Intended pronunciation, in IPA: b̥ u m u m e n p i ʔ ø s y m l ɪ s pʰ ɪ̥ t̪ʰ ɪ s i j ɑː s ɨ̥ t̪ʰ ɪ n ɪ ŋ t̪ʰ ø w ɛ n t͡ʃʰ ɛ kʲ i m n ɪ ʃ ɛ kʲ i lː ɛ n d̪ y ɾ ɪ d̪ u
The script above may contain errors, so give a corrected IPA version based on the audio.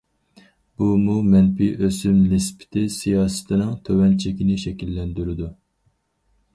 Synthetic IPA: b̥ u m u m ɛ n p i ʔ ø s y m l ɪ s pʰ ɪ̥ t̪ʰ ɪ s i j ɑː s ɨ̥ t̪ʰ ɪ n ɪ ŋ t̪ʰ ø w ɛ n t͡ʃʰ ɛ kʲ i n ɪ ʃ ɛ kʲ i lː ɛ n d̪ y ɾ ɪ d̪ u